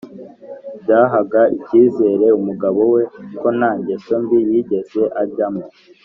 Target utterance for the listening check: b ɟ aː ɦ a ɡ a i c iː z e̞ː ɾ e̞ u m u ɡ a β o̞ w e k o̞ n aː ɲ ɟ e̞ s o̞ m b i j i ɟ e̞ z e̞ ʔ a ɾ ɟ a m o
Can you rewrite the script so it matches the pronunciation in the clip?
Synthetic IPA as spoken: b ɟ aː ɦ a ɡ a i c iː z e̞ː ɾ e̞ u m u ɡ a β o̞ w e k o̞ n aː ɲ ɟ e̞ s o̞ m b i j i ɟ e̞ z e̞ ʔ a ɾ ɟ a m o